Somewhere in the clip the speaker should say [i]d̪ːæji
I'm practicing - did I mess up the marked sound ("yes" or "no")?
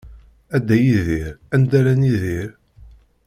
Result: yes